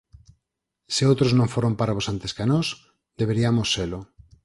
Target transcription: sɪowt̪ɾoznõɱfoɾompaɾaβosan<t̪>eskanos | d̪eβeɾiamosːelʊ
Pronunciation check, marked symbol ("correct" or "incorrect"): correct